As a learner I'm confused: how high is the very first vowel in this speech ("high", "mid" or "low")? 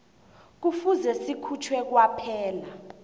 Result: high